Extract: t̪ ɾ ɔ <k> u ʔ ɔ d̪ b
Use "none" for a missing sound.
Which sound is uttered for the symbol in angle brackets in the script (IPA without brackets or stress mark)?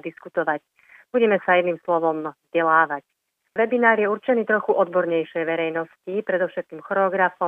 x